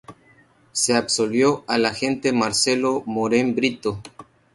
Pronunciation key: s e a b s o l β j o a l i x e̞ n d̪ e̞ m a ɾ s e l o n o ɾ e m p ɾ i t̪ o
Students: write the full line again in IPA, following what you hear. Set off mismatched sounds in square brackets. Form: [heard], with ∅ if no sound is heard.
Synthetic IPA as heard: s e a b s o l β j o a l [a] x e̞ n [t̪] e̞ m a ɾ s e l o [m] o ɾ e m [b] ɾ i t̪ o